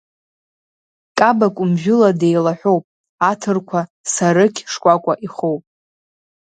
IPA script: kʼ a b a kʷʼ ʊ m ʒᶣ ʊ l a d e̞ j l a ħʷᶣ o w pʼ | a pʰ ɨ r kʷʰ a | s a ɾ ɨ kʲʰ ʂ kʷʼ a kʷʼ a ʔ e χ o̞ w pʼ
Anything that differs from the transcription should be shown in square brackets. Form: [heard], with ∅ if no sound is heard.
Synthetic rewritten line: kʼ a b a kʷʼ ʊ m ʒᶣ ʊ l a d e̞ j l a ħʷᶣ o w pʼ | a [tʰ] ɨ r kʷʰ a | s a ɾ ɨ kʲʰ ʂ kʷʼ a kʷʼ a ʔ [i] χ o̞ w pʼ